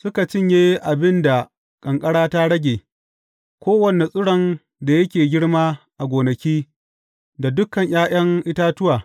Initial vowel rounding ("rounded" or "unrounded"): rounded